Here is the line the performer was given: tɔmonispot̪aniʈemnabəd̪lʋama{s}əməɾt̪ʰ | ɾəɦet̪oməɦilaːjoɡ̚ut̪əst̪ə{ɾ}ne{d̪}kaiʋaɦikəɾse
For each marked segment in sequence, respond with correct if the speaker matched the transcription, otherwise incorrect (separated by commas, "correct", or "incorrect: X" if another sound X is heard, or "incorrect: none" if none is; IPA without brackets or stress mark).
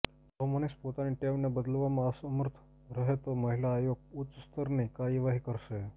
correct, correct, incorrect: none